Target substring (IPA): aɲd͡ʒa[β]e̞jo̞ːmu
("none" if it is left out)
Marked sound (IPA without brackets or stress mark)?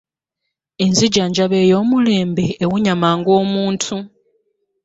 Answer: β